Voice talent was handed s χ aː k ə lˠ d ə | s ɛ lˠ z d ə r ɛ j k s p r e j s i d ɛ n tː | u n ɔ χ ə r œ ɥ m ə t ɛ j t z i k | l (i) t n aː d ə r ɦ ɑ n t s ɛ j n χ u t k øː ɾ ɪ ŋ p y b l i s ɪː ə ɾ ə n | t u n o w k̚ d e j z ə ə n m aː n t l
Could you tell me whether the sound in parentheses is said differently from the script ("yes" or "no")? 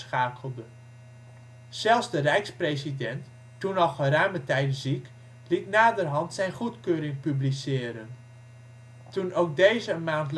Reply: no